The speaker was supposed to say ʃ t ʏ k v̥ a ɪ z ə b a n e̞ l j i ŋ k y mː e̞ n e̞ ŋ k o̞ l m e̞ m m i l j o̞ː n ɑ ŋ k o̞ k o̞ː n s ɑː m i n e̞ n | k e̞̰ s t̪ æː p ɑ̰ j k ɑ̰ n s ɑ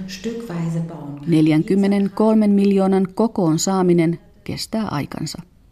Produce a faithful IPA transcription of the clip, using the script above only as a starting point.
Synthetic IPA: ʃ t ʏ k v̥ a ɪ z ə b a n e̞ l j æ ŋ k y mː e̞ n e̞ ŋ k o̞ l m e̞ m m i l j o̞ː n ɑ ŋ k o̞ k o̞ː n s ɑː m i n e̞ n | k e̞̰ s t̪ æː ʔ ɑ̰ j k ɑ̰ n s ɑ